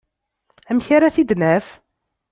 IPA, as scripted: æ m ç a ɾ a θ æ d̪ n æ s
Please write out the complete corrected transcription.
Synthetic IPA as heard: æ m ç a ɾ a θ i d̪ n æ f